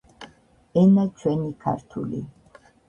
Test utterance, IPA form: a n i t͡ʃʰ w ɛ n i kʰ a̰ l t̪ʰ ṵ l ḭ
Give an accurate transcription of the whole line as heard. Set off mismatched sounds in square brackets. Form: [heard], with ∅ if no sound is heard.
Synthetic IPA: [ɛ] n [a] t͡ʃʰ w ɛ n i kʰ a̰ [ɾ] t̪ʰ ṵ l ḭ